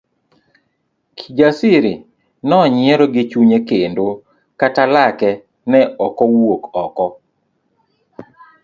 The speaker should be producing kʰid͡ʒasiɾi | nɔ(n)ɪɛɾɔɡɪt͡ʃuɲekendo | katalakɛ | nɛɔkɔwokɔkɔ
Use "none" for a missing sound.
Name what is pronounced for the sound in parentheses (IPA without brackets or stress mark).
ɲ